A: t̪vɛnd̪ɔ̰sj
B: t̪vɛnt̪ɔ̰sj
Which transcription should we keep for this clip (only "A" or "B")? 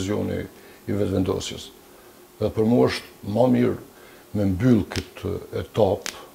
A